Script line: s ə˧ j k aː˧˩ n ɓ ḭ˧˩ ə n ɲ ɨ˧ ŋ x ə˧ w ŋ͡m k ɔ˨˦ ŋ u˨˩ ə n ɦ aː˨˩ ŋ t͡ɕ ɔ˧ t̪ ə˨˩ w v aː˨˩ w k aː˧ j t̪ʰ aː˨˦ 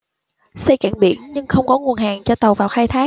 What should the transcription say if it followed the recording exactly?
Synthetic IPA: s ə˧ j k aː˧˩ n ɓ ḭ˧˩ ə n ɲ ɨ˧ ŋ x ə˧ w ŋ͡m k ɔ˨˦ ŋ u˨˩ ə n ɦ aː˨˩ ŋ t͡ɕ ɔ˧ t̪ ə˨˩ w v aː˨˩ w x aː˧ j t̪ʰ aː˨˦